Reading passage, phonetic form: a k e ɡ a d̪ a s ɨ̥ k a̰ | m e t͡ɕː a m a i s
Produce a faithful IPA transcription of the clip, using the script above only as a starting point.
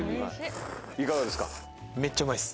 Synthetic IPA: i k a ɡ a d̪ e s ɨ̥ k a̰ | m e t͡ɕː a m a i s